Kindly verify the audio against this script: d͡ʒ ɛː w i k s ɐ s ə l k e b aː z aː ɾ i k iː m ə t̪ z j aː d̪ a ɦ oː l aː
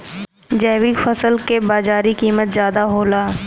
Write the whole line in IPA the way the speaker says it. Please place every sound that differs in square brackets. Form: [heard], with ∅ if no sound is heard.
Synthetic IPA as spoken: d͡ʒ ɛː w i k [f] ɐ s ə l k e b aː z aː ɾ i k iː m ə t̪ z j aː d̪ a ɦ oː l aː